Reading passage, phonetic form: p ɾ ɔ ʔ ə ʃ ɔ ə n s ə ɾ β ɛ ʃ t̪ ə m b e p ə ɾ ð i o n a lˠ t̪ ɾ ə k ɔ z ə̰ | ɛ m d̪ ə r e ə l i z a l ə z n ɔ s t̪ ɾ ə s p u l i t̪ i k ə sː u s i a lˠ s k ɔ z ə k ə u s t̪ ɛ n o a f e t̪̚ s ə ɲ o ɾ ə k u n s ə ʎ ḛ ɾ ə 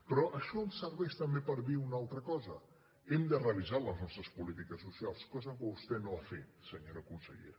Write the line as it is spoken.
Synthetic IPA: p ɾ ɔ ʔ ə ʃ ɔ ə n s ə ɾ β ɛ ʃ t̪ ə m b e p ə ɾ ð i u n a lˠ t̪ ɾ ə k ɔ z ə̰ | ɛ m d̪ ə r e ə l i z a l ə z n ɔ s t̪ ɾ ə s p u l i t̪ i k ə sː u s i a lˠ s k ɔ z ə k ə u s t̪ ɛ n o a f e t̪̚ s ə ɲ o ɾ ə k u n s ə ʎ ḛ ɾ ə

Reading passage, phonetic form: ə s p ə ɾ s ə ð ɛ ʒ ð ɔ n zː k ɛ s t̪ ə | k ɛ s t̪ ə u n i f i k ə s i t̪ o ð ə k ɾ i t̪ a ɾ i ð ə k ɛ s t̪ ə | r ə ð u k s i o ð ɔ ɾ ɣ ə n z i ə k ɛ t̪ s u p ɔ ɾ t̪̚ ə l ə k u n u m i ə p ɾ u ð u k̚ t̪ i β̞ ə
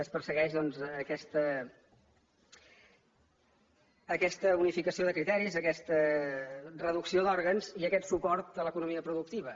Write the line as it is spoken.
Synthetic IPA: ə s p ə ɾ s ə ɣ ɛ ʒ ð ɔ n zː k ɛ s t̪ ə | k ɛ s t̪ ə u n i f i k ə s i o ð ə k ɾ i t̪ ɛ ɾ i z ə k ɛ s t̪ ə | r ə ð u k s i o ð ɔ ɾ ɣ ə n z i ə k ɛ t̪ s u p ɔ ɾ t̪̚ ə l ə k u n u m i ə p ɾ u ð u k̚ t̪ i β̞ ə

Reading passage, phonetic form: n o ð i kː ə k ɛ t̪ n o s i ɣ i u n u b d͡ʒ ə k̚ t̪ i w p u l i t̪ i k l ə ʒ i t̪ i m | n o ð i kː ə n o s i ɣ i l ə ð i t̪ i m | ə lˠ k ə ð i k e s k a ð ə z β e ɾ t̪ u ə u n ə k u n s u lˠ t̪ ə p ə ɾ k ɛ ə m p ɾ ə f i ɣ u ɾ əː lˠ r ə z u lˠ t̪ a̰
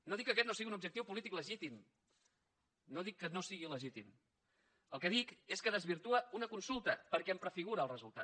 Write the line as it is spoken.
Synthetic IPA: n o ð i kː ə k ɛ t̪ n o s i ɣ i u n u b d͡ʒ ə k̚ t̪ i w p u l i t̪ i k l ə ʒ i t̪ i m | n o ð i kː ə n o s i ɣ i l ə ʒ i t̪ i m | ə lˠ k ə ð i k e s k ə ð ə z β i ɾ t̪ u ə u n ə k u n s u lˠ t̪ ə p ə ɾ k ɛ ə m p ɾ ə f i ɣ u ɾ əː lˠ r ə z u lˠ t̪ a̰

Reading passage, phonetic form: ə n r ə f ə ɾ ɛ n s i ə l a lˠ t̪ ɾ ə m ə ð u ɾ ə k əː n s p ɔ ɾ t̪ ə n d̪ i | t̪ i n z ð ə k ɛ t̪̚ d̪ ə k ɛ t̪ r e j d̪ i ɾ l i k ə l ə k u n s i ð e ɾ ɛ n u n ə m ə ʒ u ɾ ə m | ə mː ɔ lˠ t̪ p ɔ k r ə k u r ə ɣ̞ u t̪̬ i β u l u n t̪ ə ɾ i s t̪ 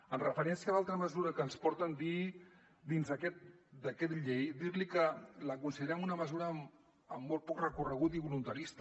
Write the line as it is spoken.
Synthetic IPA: ə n r ə f ə ɾ ɛ n s i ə l a lˠ t̪ ɾ ə m ə z u ɾ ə k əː n s p ɔ ɾ t̪ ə n d̪ i | d̪ i n z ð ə k ɛ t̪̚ d̪ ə k ɛ t̪ ʎ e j d̪ i ɾ l i k ə l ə k u n s i ð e ɾ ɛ m u n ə m ə z u ɾ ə m | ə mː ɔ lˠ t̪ p ɔ k r ə k u r ə ɣ̞ u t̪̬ i β u l u n t̪ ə ɾ i s t̪

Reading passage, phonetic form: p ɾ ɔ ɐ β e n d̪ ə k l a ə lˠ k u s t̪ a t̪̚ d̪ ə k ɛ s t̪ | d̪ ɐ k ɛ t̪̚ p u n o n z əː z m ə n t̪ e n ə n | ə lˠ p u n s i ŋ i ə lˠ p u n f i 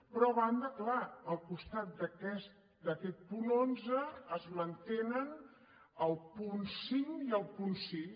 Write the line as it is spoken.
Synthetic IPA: p ɾ ɔ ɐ β a n d̪ ə k l a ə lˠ k u s t̪ a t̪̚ d̪ ə k ɛ s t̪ | d̪ ə k ɛ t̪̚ p u n o n z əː z m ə n t̪ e n ə n | ə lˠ p u n s i ŋ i ə lˠ p u n s i

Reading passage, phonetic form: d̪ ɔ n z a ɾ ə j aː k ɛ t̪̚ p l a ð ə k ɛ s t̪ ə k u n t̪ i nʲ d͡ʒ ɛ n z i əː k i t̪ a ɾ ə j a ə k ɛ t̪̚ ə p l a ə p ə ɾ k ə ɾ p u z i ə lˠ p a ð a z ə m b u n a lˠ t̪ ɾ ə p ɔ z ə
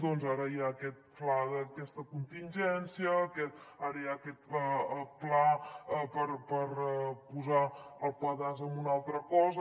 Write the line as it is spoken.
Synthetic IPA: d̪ ɔ n z a ɾ ə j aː k ɛ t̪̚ p l a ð ə k ɛ s t̪ ə k u n t̪ i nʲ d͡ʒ ɛ n s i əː k ɛ t̪ a ɾ ə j a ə k ɛ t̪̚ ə p l a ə p ə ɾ p ə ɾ p u z a ə lˠ p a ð a z ə m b u n a lˠ t̪ ɾ ə k ɔ z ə

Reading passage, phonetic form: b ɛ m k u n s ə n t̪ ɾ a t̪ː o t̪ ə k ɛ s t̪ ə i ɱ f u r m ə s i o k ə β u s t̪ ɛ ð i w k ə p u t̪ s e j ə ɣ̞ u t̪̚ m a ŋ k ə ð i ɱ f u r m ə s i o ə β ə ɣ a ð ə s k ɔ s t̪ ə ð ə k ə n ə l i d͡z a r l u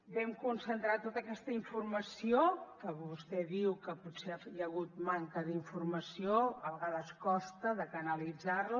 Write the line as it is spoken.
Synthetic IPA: b ɛ m k u n s ə n t̪ ɾ a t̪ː o t̪ ə k ɛ s t̪ ə i ɱ f u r m ə s i o k ə β u s t̪ ɛ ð i w k ə p u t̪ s e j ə ɣ̞ u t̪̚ m a ŋ k ə ð i ɱ f u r m ə s i o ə β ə ɣ a ð ə s k ɔ s t̪ ə ð ə k ə n ə l i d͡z a r l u

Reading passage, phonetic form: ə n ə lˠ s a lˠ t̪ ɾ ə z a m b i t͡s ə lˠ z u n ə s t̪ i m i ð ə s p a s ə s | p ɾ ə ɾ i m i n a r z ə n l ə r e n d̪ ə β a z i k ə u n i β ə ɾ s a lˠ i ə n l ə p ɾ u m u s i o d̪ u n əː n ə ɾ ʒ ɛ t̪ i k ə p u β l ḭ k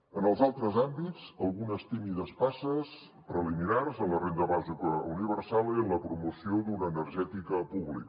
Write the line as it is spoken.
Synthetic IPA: ə n ə lˠ z a lˠ t̪ ɾ ə z a m b i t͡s ə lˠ ɣ u n ə s t̪ i m i ð ə s p a s ə s | p ɾ ə l i m i n a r z ə n l ə r e n d̪ ə β a z i k ə u n i β ə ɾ s a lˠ i ə n l ə p ɾ u m u s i o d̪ u n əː n ə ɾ ʒ ɛ t̪ i k ə p u β l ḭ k

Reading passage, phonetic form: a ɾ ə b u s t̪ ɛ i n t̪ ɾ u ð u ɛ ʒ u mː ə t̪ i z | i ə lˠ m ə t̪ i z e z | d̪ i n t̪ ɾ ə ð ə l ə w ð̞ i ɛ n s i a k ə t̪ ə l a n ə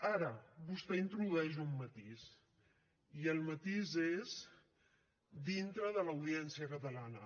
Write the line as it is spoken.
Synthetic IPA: a ɾ ə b u s t̪ ɛ i n t̪ ɾ u ð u ɛ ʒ u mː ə t̪ i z | i ə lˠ m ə t̪ i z e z | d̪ i n t̪ ɾ ə ð ə l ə w ð̞ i ɛ n s i ə k ə t̪ ə l a n ə

